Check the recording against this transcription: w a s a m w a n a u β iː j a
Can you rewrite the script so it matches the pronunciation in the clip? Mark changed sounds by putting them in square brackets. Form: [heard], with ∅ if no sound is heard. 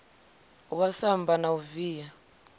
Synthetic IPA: w a s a m [b] a n a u [v] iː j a

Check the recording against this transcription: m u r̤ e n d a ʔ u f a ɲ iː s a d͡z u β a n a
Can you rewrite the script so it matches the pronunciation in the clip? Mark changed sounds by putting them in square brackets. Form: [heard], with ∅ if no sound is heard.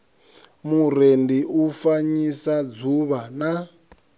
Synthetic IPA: m u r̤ e n d [i] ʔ u f a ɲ [i] s a d͡z u β a n a

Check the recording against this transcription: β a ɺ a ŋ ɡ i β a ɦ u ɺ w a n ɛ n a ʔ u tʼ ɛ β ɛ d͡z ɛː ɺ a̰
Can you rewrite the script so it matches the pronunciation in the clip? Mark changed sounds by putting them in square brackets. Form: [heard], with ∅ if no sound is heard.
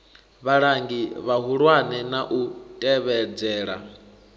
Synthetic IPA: β a ɺ a ŋ ɡ i β a ɦ u ɺ w a n ɛ n a ʔ u tʼ ɛ β ɛ d͡z ɛː ɺ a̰

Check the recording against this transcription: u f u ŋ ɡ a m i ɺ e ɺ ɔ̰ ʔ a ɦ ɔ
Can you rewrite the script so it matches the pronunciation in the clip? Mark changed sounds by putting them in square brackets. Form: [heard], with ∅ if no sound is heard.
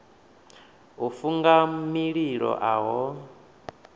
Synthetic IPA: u f u ŋ ɡ a m i ɺ [i] ɺ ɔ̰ ʔ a ɦ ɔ

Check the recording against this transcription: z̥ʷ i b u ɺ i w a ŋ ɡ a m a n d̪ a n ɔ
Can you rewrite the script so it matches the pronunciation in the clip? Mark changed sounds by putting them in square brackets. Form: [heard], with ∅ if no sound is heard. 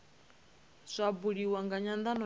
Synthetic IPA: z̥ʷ [a] b u ɺ i w a ŋ ɡ a [ɲ] a n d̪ a n ɔ

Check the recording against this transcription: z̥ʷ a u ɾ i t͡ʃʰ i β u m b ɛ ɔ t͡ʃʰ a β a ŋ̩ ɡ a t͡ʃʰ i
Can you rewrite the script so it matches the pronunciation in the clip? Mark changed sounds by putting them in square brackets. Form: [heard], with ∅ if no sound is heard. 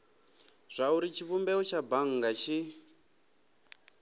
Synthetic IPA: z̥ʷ a u ɾ i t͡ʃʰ i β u m b ɛ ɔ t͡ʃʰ a [b] a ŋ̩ ɡ a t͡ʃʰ i

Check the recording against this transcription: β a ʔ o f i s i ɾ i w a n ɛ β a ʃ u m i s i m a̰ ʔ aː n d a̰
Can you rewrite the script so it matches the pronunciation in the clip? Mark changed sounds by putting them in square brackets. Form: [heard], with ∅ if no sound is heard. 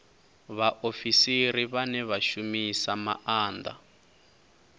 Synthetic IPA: β a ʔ o f i s i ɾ i [β] a n ɛ β a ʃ u m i s [a] m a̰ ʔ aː n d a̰

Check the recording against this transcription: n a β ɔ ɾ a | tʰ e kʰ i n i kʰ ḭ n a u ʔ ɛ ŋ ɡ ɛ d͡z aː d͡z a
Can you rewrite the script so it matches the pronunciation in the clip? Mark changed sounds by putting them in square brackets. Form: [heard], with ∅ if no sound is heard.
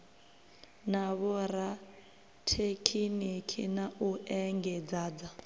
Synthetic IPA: n a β ɔ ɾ a | tʰ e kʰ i n i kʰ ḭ n a u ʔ ɛ ŋ ɡ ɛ d͡z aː d͡z a

